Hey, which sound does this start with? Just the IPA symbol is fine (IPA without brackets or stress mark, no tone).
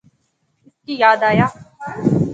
ɪ